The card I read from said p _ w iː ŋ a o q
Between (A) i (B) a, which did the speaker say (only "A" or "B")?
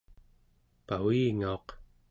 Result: B